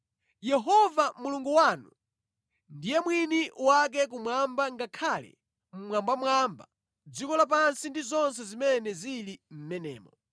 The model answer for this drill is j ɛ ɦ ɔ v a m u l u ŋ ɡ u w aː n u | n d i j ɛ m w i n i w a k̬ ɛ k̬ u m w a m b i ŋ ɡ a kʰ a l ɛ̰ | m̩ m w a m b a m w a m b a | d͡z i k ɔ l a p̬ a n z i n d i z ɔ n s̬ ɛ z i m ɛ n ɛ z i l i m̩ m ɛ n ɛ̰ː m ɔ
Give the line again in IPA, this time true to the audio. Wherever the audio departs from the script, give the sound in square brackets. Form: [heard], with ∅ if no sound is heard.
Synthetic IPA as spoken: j ɛ ɦ ɔ v a m u l u ŋ ɡ u w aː n u | n d i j ɛ m w i n i w a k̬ ɛ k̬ u m w a m b [a] ŋ ɡ a kʰ a l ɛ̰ | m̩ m w a m b a m w a m b a | d͡z i k ɔ l a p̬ a n [s] i n d i z ɔ n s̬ ɛ z i m ɛ n ɛ z i l i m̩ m ɛ n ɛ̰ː m ɔ

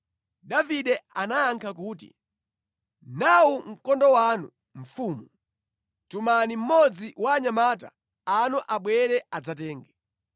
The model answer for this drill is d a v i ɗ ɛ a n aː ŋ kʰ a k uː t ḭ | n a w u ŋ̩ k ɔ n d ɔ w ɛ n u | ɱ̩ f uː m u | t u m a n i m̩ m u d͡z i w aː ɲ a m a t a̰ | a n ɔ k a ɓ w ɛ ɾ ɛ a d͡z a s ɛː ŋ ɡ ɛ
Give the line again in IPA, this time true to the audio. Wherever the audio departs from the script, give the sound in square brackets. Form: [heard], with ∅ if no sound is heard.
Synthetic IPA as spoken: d a v i ɗ ɛ a n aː ŋ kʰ a k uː t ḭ | n a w u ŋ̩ k ɔ n d ɔ w [a] n u | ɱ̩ f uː m u | t u m a n i m̩ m [ɔ] d͡z i w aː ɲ a m a t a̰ | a n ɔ [ʔ] a ɓ w ɛ ɾ ɛ a d͡z a [t] ɛː ŋ ɡ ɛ

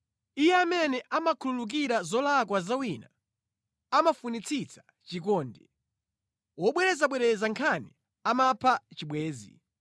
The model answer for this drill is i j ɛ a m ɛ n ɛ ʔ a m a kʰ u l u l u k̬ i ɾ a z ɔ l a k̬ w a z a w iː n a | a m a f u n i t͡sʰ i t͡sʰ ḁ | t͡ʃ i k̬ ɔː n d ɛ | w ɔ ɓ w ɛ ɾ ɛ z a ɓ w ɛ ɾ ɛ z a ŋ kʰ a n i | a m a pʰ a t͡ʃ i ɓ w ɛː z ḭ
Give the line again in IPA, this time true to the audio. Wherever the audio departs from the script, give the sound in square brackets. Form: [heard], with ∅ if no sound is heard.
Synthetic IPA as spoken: i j ɛ a m ɛ n ɛ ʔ a m a kʰ u l u l u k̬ i ɾ a z ɔ l a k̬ w a z a w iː n a | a m a f u n i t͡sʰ i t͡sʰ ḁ | t͡ʃ i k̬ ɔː n d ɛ | w ɔ ɓ w ɛ ɾ ɛ z a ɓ w ɛ ɾ ɛ z a ŋ kʰ a n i | a m a pʰ a t͡ʃ i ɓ w ɛː z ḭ

